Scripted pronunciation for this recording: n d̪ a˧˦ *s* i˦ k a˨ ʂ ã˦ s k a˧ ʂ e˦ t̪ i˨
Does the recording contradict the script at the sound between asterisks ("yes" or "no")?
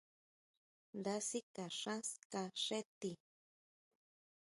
no